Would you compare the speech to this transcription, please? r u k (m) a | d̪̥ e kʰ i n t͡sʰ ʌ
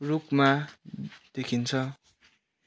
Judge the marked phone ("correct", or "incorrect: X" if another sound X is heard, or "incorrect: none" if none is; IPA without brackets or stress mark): correct